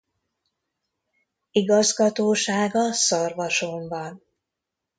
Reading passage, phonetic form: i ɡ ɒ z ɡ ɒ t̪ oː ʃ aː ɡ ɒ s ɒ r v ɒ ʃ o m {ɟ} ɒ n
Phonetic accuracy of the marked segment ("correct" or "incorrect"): incorrect